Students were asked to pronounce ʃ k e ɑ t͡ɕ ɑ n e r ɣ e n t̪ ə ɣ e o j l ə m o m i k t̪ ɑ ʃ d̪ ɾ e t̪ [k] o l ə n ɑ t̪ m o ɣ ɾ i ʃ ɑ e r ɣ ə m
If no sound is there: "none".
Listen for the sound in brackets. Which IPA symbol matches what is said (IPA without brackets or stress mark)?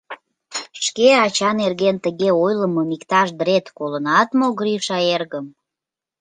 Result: k